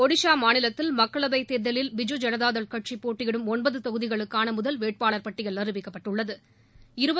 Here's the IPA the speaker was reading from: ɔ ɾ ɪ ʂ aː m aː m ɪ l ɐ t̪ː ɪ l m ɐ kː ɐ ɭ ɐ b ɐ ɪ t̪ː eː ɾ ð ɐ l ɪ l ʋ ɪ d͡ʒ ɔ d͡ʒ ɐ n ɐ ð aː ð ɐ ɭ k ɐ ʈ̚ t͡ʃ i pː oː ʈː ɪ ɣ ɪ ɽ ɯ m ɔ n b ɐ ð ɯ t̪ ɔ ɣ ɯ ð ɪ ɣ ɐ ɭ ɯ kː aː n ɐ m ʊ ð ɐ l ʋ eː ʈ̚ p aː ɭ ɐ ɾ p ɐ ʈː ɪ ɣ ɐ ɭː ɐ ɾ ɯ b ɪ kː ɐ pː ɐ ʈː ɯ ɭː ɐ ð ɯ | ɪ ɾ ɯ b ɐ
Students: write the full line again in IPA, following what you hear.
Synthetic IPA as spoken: ɔ ɽ ɪ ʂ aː m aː n ɪ l ɐ t̪ː ɪ l m ɐ kː ɐ ɭ ɐ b ɐ ɪ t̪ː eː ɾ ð ɐ l ɪ l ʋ ɪ d͡ʒ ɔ d͡ʒ ɐ n ɐ ð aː ð ɐ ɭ k ɐ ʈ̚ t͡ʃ i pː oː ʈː ɪ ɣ ɪ ɽ ɯ m ɔ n b ɐ ð ɯ t̪ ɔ ɣ ɯ ð ɪ ɣ ɐ ɭ ɯ kː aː n ɐ m ʊ ð ɐ l ʋ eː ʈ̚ p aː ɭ ɐ ɾ p ɐ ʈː ɪ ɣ ɐ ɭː ɐ ɾ ɯ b ɪ kː ɐ pː ɐ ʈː ɯ ɭː ɐ ð ɯ | ɪ ɾ ɯ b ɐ